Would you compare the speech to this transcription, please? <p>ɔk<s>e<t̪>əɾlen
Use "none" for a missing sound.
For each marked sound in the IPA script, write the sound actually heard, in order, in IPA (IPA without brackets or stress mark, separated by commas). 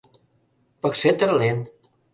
p, s, t̪